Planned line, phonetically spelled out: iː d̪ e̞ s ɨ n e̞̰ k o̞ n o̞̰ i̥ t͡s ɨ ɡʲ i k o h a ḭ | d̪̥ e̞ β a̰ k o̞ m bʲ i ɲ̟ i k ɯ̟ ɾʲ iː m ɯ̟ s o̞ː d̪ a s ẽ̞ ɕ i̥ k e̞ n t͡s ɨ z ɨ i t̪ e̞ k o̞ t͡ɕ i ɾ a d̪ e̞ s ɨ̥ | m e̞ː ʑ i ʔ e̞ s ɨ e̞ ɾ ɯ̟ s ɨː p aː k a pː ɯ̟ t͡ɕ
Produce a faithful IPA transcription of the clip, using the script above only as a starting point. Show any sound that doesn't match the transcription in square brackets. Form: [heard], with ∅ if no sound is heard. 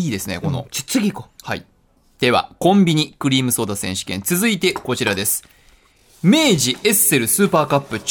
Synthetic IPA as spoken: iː d̪ e̞ s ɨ n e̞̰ k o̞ n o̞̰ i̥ t͡s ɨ ɡʲ i k o h a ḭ | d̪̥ e̞ β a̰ k [õ̞] m bʲ i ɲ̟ i k ɯ̟ ɾʲ iː m ɯ̟ s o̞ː d̪ a s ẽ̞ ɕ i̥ k [ẽ̞] n t͡s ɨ z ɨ i t̪ e̞ k o̞ t͡ɕ i ɾ a d̪ e̞ s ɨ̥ | m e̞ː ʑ i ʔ e̞ s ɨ e̞ ɾ ɯ̟ s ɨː p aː k a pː ɯ̟ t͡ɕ